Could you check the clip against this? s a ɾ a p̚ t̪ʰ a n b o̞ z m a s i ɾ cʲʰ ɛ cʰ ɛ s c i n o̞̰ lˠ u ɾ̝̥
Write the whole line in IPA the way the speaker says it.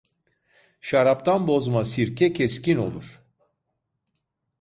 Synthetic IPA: ʃ a ɾ a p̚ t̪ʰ a n b o̞ z m a s i ɾ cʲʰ ɛ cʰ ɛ s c i n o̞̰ lˠ u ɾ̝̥